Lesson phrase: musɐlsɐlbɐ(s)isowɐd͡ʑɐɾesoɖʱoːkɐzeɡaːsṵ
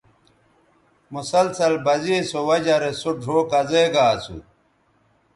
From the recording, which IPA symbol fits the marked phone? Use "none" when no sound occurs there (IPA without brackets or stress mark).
z